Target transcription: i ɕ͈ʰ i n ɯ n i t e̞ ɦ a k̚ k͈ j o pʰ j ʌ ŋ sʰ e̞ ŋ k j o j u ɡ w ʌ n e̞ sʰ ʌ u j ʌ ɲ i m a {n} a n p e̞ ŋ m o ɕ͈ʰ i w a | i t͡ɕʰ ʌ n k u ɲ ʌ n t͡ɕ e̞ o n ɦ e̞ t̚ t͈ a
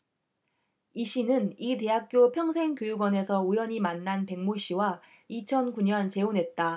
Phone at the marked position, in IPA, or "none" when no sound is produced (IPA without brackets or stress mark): nː